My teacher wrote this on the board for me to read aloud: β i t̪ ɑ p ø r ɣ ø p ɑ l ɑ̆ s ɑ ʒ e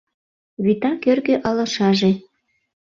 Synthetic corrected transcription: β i t̪ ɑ k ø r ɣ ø ʔ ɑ l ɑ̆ ʃ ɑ ʒ e